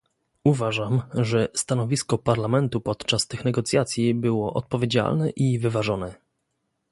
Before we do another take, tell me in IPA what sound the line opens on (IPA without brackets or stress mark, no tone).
u